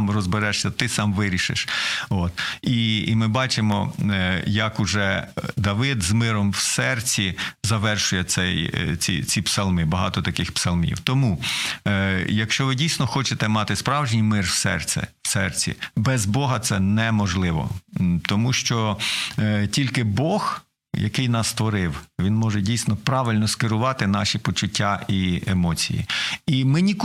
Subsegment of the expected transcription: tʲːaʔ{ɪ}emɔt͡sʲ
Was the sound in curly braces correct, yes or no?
no